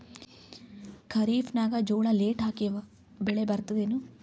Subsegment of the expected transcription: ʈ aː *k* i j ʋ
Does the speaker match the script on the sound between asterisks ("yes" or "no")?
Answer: yes